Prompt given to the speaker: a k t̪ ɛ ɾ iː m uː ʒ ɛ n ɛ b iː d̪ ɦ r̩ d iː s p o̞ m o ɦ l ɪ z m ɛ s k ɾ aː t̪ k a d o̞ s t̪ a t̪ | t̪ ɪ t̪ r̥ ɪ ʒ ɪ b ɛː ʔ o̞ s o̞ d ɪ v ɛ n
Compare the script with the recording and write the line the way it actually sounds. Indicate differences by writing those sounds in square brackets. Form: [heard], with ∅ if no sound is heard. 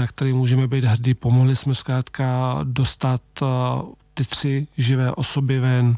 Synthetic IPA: a k t̪ ɛ ɾ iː m uː ʒ ɛ [m] ɛ b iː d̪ ɦ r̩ d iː [∅] p o̞ m o ɦ l ɪ [s] m ɛ s k ɾ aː t̪ k a d o̞ s t̪ a t̪ | t̪ ɪ t̪ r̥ ɪ ʒ ɪ [v] ɛː ʔ o̞ s o̞ [b] ɪ v ɛ n